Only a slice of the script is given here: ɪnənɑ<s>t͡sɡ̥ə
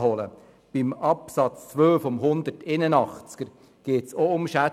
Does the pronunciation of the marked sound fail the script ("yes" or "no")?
yes